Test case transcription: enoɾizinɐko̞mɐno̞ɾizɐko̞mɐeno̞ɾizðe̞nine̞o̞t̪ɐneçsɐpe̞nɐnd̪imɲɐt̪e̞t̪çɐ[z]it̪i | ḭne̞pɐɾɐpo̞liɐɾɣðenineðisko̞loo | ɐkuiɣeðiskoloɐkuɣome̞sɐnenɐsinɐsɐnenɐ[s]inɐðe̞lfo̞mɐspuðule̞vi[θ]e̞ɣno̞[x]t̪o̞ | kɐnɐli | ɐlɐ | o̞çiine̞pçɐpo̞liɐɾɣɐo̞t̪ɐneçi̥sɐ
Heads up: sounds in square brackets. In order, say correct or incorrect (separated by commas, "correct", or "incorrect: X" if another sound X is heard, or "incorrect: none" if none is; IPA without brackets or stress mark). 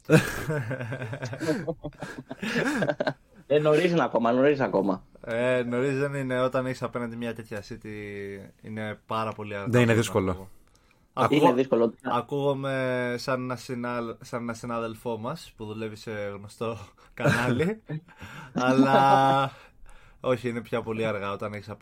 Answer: incorrect: s, correct, incorrect: s, incorrect: s